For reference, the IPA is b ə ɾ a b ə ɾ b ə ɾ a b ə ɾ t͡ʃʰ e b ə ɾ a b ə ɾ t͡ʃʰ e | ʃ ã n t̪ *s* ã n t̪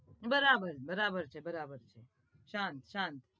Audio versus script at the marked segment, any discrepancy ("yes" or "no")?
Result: yes